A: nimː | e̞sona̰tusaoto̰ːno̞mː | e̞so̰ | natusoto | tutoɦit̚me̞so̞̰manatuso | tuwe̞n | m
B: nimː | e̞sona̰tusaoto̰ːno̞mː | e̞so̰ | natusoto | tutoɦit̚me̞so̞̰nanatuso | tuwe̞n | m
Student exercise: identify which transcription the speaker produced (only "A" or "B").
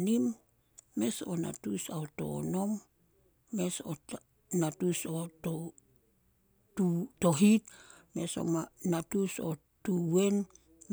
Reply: A